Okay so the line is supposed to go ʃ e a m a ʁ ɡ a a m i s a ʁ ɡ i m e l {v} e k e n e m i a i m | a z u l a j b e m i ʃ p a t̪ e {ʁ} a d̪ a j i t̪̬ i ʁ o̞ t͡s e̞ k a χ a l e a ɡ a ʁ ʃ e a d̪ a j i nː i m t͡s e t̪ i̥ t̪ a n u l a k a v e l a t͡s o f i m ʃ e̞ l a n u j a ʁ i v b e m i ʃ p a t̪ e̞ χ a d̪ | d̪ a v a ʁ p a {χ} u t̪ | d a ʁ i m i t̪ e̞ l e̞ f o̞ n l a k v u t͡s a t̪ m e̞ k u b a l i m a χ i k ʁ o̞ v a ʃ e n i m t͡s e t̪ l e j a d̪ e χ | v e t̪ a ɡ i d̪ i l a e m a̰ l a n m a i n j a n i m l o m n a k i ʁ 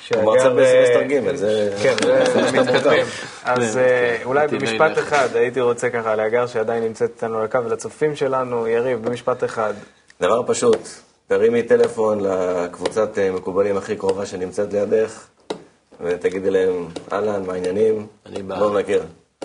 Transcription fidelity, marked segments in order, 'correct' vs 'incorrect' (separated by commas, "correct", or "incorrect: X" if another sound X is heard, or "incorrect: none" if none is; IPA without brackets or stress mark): incorrect: z, incorrect: χ, incorrect: ʃ